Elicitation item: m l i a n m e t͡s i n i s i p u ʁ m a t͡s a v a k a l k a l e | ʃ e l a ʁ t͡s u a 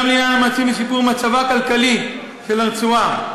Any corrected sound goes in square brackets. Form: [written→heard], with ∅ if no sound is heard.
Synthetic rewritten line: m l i a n m [e→a] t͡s i [n→m] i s i p u ʁ m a t͡s a v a k a l k a l [e→i] | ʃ e l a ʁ t͡s u a